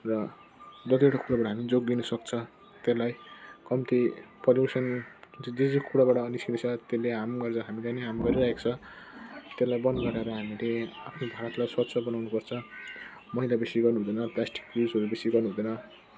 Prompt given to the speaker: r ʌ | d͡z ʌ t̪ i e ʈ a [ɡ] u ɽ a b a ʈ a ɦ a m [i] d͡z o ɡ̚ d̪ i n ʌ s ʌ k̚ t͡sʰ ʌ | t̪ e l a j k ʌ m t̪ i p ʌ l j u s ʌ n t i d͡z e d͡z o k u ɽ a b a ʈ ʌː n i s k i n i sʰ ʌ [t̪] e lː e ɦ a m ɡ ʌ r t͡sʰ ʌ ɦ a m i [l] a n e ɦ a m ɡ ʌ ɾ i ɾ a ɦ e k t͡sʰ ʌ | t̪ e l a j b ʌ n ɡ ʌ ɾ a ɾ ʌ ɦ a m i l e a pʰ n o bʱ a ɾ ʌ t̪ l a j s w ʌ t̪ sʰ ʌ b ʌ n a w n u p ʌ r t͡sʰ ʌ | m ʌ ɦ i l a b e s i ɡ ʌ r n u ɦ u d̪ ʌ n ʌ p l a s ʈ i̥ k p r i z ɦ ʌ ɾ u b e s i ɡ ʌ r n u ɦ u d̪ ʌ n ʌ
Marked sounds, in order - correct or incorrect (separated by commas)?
incorrect, correct, correct, correct